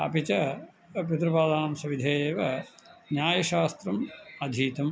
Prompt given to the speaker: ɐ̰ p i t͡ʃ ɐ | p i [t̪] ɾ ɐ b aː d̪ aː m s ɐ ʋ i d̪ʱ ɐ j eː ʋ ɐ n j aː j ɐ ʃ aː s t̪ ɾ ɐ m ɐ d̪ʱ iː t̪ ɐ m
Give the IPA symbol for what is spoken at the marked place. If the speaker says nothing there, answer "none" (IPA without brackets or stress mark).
t̪